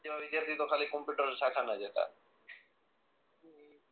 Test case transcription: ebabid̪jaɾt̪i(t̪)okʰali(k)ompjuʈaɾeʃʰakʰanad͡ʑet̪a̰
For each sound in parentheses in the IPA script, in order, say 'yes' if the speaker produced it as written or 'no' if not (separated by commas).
yes, yes